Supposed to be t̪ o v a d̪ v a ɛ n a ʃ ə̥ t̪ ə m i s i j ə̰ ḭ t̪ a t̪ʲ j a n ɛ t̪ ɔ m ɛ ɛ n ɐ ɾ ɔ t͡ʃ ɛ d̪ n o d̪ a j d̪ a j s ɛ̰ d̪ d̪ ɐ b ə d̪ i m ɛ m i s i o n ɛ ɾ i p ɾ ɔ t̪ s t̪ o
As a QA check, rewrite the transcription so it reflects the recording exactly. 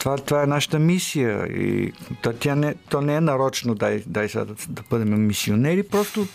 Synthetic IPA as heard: t̪ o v a t̪ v a ɛ n a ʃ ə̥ t̪ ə m i s i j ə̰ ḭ t̪ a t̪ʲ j a n ɛ t̪ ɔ n ɛ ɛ n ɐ ɾ ɔ t͡ʃ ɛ n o d̪ a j d̪ a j s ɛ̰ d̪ d̪ ɐ b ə d̪ ɛ m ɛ m i s i o n ɛ ɾ i p ɾ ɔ s t̪ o